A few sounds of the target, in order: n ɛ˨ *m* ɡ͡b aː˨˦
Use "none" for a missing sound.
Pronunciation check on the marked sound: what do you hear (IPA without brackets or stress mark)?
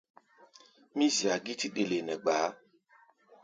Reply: none